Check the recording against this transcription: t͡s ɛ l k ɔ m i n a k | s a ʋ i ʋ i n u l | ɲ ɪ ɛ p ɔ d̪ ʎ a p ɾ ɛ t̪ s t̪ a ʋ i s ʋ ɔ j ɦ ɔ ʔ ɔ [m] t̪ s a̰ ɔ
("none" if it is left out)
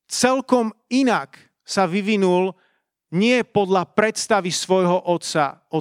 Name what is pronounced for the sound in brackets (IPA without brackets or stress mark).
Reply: none